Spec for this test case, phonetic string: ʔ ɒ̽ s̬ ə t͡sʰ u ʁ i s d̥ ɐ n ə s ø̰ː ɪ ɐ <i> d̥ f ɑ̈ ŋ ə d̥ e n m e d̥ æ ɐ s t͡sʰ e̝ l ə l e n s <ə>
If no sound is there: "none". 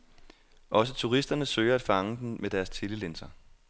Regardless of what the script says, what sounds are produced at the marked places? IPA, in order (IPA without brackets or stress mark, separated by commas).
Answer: æ, ɐ